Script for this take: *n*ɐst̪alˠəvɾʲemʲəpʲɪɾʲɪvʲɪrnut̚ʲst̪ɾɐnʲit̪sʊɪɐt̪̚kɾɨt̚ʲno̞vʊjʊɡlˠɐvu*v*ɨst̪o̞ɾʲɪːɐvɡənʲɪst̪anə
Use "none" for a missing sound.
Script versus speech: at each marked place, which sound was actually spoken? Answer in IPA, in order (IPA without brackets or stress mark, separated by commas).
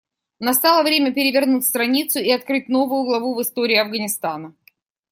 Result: n, v